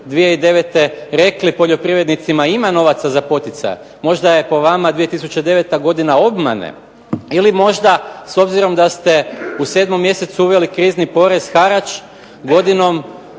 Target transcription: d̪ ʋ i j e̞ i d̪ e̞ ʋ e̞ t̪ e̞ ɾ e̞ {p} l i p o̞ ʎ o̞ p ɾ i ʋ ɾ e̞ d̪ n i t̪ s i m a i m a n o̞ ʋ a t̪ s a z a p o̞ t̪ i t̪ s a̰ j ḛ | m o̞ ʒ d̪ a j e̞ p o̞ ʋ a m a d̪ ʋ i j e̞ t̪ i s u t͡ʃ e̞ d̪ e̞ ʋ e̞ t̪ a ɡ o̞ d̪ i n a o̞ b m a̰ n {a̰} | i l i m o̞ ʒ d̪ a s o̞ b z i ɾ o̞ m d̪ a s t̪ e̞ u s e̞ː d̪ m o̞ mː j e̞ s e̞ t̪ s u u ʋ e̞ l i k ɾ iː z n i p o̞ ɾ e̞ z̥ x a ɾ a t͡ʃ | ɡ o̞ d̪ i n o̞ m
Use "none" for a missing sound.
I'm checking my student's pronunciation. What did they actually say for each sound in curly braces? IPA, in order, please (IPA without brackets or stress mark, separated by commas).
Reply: k, ḛ